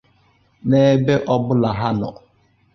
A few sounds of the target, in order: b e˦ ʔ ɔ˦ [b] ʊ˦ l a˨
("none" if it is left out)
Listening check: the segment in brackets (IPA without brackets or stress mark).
b